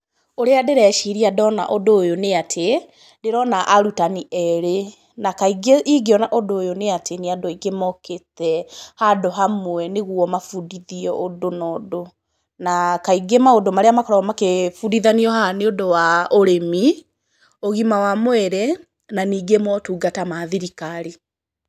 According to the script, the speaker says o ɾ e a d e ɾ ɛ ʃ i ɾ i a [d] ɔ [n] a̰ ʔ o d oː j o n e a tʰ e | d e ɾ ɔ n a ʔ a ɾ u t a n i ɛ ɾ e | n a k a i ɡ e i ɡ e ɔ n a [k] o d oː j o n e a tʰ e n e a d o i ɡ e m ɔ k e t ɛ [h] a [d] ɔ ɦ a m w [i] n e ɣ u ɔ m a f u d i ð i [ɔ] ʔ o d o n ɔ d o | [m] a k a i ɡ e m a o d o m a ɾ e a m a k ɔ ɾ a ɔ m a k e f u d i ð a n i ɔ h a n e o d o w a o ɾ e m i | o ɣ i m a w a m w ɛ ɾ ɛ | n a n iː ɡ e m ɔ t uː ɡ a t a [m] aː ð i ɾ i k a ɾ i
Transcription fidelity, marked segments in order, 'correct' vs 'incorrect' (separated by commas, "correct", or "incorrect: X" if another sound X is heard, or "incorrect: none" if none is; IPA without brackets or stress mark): correct, correct, incorrect: ʔ, correct, correct, incorrect: ɛ, correct, incorrect: n, correct